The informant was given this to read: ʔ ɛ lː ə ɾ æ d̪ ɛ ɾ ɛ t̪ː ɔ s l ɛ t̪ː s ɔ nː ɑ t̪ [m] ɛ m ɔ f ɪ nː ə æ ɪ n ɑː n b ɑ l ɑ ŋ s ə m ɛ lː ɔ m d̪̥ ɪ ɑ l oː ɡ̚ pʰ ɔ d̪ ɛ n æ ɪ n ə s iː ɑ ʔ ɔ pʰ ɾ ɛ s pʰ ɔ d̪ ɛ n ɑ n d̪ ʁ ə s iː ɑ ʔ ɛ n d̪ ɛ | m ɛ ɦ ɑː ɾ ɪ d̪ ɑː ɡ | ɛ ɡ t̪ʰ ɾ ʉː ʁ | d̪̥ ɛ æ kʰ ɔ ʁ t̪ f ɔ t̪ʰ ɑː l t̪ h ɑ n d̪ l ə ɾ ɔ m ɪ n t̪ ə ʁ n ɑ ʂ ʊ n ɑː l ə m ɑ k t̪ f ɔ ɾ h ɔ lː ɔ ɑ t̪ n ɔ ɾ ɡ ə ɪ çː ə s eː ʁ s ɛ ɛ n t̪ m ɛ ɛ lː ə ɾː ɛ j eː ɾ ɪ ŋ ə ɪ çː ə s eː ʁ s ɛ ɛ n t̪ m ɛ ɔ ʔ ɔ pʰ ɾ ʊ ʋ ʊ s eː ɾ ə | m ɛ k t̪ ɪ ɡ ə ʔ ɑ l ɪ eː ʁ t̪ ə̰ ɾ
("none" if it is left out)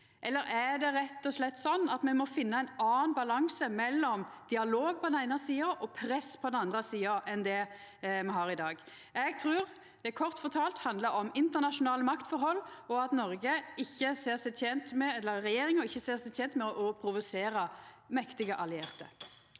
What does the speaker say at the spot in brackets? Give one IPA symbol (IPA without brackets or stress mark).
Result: m